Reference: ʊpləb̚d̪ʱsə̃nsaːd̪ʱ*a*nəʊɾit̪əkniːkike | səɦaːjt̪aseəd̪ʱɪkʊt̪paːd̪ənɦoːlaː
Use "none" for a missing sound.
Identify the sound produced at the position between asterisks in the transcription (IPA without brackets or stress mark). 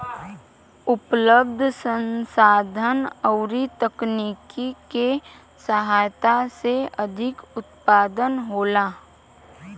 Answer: ə